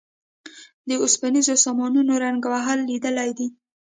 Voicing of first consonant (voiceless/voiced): voiced